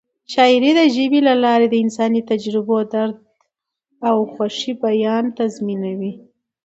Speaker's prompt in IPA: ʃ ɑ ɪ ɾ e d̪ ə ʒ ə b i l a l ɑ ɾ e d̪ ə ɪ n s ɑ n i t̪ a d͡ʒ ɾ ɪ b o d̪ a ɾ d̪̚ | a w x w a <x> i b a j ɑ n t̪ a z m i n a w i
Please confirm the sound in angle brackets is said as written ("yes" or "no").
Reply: no